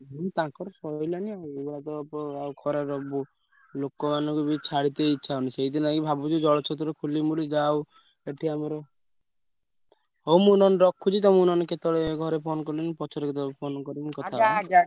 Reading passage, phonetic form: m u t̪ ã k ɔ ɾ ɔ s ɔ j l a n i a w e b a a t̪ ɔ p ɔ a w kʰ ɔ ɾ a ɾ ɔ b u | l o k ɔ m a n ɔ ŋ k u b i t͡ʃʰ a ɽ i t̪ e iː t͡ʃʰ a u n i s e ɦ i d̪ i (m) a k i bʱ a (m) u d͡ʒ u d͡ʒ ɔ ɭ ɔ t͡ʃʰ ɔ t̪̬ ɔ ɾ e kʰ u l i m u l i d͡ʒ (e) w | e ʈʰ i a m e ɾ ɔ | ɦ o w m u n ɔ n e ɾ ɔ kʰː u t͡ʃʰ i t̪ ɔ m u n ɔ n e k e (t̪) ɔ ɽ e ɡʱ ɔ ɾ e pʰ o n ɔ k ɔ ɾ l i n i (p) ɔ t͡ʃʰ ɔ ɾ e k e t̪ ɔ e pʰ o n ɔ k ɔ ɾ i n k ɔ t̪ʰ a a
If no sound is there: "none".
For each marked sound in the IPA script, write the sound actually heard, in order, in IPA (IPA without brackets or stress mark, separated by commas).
n, b, a, t̪, p